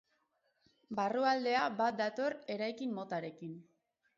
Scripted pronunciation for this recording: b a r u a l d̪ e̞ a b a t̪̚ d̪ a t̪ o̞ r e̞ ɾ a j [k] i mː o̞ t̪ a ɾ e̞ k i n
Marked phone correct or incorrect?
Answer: correct